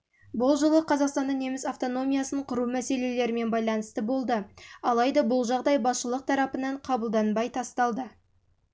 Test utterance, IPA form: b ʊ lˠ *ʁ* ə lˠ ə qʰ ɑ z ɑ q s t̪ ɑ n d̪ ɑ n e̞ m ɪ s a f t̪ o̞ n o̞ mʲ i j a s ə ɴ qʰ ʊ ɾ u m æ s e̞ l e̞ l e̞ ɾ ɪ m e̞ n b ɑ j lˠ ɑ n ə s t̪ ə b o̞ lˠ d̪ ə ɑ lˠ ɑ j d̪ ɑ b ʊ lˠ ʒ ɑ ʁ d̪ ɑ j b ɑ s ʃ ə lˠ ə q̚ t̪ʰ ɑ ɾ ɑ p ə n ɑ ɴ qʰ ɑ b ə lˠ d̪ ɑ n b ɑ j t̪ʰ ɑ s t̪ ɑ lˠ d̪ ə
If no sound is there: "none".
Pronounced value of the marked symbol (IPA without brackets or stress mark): ʒ